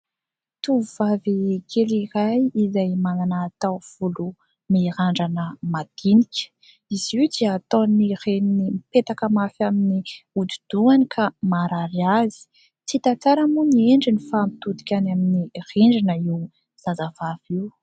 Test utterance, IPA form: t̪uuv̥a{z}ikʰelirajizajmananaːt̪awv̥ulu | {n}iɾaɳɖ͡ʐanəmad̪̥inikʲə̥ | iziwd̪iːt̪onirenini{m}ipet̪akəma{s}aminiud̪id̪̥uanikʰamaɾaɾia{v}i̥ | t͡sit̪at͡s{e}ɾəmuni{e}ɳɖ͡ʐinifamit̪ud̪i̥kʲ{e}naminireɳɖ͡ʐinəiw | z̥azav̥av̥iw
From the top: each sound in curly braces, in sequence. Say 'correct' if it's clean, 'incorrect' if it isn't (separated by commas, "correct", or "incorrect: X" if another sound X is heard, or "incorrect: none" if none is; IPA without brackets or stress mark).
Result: incorrect: v, incorrect: m, correct, incorrect: f, incorrect: z, incorrect: a, correct, incorrect: a